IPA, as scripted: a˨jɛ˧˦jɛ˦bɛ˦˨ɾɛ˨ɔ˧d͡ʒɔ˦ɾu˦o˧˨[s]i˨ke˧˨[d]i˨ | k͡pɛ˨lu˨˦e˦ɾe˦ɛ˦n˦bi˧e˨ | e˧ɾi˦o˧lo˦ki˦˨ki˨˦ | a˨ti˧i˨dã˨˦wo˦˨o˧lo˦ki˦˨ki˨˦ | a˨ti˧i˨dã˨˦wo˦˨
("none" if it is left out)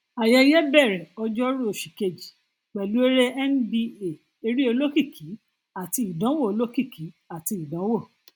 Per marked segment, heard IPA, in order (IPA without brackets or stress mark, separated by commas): ʃ, d͡ʒ